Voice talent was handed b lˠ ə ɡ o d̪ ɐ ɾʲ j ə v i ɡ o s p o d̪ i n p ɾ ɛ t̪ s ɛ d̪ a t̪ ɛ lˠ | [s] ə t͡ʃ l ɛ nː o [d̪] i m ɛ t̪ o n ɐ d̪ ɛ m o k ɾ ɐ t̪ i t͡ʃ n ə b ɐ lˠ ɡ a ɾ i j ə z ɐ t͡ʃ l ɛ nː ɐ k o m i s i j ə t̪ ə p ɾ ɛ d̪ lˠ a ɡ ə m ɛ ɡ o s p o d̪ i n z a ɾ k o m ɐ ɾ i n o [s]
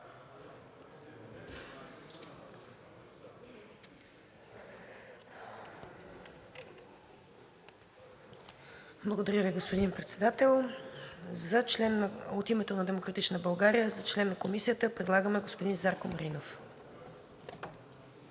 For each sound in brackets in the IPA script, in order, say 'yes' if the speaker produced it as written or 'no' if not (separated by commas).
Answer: no, no, no